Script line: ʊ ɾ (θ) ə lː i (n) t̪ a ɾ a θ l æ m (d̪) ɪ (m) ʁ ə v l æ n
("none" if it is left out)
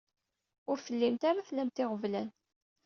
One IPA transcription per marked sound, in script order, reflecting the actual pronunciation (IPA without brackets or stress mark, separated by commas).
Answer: f, m, t̪, none